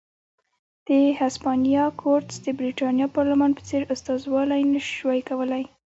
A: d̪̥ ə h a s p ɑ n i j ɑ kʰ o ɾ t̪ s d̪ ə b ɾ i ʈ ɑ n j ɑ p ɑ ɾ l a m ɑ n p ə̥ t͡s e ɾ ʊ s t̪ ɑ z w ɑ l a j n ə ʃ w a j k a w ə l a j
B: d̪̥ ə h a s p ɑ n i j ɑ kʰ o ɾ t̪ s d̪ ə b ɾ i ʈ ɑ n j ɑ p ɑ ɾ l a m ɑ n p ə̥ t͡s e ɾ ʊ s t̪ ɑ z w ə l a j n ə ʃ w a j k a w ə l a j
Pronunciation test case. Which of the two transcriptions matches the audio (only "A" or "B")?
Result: A